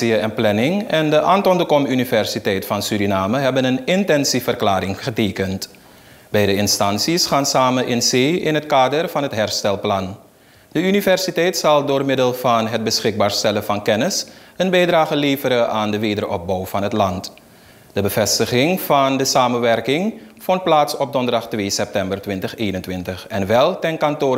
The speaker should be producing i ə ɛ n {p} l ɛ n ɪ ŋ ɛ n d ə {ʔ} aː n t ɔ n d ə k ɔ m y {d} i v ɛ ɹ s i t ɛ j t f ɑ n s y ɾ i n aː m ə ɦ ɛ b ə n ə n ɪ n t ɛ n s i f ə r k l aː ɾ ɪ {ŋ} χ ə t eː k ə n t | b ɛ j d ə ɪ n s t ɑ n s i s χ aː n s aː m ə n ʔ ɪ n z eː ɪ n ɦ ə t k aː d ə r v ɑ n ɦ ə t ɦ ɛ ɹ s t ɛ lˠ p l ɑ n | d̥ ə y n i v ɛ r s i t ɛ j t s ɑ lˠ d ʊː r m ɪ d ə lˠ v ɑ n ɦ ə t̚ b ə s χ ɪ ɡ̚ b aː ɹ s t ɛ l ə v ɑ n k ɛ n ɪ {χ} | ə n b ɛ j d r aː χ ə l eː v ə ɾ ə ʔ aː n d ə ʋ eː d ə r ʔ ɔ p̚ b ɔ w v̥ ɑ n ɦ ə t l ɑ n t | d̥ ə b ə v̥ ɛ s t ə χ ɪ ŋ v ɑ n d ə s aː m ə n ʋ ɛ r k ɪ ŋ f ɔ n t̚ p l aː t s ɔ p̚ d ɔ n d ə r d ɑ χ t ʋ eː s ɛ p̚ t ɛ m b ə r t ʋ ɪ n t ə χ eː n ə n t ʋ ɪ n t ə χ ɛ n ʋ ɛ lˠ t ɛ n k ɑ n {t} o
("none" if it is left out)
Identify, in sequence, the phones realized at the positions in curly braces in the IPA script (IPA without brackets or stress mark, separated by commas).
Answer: p, ʔ, n, ŋ, s, t